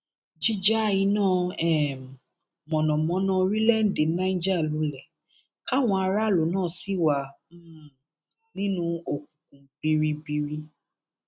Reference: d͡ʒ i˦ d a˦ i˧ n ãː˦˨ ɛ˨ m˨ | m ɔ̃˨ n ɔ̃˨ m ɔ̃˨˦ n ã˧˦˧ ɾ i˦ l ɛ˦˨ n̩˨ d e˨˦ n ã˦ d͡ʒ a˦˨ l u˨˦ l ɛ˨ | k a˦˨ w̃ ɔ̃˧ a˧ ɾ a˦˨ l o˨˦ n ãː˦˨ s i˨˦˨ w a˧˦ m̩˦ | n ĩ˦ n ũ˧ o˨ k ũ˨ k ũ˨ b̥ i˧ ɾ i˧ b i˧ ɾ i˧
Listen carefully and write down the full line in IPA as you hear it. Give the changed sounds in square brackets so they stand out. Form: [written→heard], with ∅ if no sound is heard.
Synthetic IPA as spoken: d͡ʒ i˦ [d→d͡ʒ] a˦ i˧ n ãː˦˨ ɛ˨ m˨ | m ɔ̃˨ n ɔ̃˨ m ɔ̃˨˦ n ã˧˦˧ ɾ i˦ l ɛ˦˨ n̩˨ d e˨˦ n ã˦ d͡ʒ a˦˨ l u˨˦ l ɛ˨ | k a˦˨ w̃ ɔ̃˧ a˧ ɾ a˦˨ l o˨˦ n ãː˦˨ s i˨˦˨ w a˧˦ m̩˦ | n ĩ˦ n ũ˧ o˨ k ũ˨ k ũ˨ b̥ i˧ ɾ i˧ b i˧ ɾ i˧

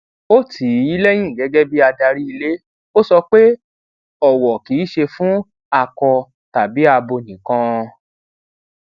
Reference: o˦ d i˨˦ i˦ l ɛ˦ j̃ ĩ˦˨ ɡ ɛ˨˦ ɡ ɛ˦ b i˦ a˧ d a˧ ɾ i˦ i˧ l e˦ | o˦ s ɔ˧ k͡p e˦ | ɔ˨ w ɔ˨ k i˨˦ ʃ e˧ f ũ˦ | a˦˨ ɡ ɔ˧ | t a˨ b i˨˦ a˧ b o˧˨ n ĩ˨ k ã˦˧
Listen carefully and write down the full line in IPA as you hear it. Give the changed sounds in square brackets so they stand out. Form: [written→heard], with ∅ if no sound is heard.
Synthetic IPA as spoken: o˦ [d→t] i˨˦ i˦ l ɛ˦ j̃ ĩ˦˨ ɡ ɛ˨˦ ɡ ɛ˦ b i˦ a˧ d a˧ ɾ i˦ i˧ l e˦ | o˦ s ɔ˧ k͡p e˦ | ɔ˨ w ɔ˨ k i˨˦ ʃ e˧ f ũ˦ | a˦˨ [ɡ→k] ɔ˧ | t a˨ b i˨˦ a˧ b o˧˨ n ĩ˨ k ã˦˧

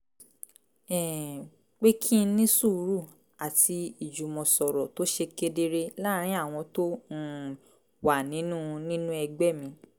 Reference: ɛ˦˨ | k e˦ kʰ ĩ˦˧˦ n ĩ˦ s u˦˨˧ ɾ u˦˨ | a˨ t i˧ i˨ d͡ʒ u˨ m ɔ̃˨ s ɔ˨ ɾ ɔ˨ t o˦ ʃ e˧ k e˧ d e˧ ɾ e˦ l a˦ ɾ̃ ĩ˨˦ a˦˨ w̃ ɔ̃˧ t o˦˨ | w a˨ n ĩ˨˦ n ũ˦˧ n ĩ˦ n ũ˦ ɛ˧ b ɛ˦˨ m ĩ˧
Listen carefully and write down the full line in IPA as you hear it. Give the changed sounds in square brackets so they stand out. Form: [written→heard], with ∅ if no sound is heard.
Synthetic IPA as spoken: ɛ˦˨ | [k→k͡p] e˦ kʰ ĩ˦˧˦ n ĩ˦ s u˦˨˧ ɾ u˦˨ | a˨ t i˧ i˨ d͡ʒ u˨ m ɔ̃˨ s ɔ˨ ɾ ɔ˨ t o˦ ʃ e˧ k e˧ d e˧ ɾ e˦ l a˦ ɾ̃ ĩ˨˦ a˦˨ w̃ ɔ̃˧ t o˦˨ | w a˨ n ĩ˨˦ n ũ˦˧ n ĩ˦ n ũ˦ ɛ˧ [b→ɡ͡b] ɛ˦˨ m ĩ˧

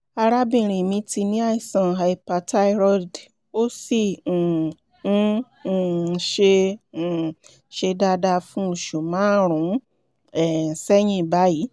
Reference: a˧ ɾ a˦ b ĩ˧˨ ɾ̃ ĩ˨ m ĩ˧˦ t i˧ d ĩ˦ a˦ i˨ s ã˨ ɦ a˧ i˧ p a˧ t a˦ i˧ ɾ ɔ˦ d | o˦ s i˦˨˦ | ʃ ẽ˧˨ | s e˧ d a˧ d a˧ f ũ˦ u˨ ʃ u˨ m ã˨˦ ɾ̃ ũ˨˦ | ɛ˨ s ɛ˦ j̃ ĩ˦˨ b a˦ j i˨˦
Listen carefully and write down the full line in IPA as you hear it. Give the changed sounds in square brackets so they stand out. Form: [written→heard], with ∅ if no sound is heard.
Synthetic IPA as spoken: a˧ ɾ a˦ b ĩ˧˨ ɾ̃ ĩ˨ m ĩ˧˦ t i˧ [d→n] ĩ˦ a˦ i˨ s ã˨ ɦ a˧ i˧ p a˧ t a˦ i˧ ɾ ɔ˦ d | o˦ s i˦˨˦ | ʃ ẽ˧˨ | [s→ʃ] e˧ d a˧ d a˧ f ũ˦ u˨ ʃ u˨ m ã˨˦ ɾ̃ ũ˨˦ | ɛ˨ s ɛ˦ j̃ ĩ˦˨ b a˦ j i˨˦

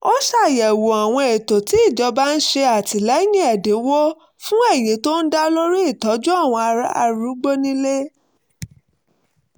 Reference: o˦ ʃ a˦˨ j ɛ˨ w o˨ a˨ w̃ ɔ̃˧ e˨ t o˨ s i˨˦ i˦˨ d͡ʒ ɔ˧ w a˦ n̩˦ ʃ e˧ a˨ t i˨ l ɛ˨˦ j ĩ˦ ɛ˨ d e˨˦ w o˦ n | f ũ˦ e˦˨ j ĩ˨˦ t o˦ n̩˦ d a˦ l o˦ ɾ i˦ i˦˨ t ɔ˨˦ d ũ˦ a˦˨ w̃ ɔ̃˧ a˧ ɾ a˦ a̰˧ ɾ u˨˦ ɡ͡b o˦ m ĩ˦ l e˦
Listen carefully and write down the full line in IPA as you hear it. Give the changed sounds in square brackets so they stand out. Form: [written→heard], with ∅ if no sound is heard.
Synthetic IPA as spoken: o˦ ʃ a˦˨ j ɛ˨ w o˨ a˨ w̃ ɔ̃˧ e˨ t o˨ [s→t] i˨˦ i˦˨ d͡ʒ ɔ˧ [w→b] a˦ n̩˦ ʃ e˧ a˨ t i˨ l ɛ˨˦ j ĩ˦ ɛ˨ d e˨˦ w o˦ [n→∅] | f ũ˦ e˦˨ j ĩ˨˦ t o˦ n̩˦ d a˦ l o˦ ɾ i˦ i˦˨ t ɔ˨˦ [d→d͡ʒ] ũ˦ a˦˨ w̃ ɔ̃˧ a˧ ɾ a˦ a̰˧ ɾ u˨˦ ɡ͡b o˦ [m→n] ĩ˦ l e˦

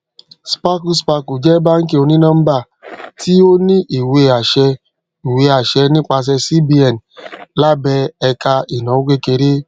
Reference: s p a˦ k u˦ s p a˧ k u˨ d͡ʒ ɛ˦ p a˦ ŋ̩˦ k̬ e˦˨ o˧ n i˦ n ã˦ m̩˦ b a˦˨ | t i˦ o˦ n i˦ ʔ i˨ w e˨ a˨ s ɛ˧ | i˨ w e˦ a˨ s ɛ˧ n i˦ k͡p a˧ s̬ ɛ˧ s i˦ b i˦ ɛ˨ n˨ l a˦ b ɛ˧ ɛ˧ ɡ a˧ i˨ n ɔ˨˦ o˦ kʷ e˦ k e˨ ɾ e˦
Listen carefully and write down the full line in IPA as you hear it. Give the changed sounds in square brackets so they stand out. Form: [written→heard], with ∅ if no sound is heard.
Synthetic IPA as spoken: s p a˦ k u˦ s p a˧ k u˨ d͡ʒ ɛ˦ [p→b] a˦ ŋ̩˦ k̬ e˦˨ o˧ n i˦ n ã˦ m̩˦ b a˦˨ | t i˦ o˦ n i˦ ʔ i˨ w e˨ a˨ [s→ʃ] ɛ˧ | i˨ w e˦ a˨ [s→ʃ] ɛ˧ n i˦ k͡p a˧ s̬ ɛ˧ s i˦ b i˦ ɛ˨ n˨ l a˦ b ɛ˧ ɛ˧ [ɡ→k] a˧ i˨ n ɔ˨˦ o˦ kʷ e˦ k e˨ ɾ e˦

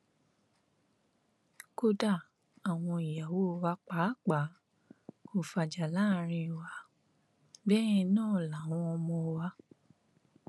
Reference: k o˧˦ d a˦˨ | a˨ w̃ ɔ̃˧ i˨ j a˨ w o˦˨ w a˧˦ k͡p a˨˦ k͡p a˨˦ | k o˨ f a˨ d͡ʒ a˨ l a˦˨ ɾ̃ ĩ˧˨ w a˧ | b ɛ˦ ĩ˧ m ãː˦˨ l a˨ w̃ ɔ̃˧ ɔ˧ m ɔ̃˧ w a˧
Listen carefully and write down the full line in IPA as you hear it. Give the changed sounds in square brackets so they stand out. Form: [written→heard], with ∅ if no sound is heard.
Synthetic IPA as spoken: k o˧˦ d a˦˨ | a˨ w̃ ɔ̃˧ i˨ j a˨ w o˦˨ w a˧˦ k͡p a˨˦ k͡p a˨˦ | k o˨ f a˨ d͡ʒ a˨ l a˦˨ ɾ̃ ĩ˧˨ w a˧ | b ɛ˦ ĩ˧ [m→n] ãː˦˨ l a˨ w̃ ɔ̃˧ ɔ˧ m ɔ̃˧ w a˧

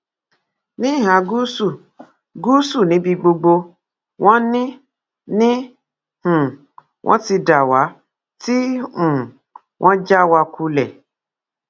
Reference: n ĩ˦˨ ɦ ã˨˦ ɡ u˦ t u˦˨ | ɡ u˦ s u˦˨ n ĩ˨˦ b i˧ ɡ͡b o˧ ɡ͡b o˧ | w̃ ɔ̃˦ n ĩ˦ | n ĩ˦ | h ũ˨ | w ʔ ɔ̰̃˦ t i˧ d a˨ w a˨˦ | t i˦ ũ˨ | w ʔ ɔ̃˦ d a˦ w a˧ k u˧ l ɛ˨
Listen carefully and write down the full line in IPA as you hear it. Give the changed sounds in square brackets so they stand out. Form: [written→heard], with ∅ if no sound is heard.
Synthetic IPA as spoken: n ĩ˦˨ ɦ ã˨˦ ɡ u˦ [t→s] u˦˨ | ɡ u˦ s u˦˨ n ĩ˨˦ b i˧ ɡ͡b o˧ ɡ͡b o˧ | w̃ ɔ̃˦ n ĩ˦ | n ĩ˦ | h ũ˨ | w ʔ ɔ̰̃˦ t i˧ d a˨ w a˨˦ | t i˦ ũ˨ | w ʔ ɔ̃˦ [d→d͡ʒ] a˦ w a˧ k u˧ l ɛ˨

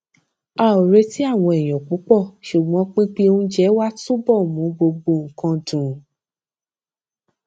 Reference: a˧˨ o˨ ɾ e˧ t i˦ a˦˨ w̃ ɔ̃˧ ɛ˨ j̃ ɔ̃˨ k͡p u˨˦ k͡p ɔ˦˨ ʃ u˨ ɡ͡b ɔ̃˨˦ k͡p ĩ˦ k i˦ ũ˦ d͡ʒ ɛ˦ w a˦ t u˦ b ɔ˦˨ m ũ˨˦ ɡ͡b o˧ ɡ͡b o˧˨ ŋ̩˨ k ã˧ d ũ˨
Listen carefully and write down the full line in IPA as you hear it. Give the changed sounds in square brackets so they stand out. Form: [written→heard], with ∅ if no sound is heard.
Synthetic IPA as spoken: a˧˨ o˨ ɾ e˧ t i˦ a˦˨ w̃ ɔ̃˧ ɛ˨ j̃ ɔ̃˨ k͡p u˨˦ k͡p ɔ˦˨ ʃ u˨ ɡ͡b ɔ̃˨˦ k͡p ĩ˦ [k→k͡p] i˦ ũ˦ d͡ʒ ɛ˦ w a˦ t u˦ b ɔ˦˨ m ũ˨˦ ɡ͡b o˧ ɡ͡b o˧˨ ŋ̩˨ k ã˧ d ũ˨

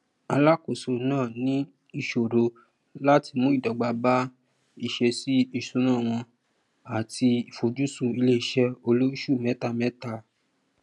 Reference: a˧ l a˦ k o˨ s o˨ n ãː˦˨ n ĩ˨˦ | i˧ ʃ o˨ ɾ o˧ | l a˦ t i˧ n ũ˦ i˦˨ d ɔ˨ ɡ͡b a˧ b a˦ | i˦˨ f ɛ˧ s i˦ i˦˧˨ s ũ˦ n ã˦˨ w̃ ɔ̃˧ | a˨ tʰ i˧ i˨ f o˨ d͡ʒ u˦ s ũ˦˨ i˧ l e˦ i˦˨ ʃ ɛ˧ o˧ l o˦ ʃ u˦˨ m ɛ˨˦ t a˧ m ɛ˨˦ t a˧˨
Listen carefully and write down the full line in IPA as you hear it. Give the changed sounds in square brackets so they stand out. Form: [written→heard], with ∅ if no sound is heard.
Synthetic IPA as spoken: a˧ l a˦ k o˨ s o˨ n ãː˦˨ n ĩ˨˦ | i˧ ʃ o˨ ɾ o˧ | l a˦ t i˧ [n→m] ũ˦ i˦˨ d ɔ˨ ɡ͡b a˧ b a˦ | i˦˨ [f→ʃ] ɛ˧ s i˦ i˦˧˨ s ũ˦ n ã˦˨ w̃ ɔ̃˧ | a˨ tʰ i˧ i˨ f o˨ d͡ʒ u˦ s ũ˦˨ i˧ l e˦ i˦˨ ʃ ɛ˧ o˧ l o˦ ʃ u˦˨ m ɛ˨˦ t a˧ m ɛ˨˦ t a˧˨

